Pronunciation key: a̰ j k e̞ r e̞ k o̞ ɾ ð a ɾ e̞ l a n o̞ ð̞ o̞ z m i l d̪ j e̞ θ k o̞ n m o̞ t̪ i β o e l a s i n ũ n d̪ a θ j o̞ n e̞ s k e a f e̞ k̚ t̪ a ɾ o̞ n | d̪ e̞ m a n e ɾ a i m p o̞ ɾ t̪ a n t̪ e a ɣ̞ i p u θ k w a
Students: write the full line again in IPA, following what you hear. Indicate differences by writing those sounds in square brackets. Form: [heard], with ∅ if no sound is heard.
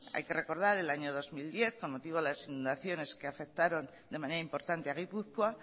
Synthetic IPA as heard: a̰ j k e̞ r e̞ k o̞ ɾ ð a ɾ e̞ l a [ɲ] o̞ ð̞ o̞ z m i l d̪ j e̞ θ k o̞ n m o̞ t̪ i β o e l a s i n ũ n d̪ a θ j o̞ n e̞ s k e a f e̞ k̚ t̪ a ɾ o̞ n | d̪ e̞ m a n e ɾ a i m p o̞ ɾ t̪ a n t̪ e a ɣ̞ i p u θ k w a